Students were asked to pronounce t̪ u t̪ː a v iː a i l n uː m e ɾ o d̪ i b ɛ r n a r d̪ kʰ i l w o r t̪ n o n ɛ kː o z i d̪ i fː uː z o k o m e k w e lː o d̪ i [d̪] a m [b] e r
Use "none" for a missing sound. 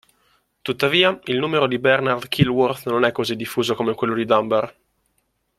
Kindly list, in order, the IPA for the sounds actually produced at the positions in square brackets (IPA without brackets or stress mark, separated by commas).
d̪, b